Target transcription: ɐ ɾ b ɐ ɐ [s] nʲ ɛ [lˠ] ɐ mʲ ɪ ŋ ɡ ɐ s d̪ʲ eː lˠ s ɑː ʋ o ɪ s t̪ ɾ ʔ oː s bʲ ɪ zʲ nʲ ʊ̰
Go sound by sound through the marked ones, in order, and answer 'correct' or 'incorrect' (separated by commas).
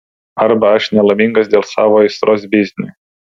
incorrect, correct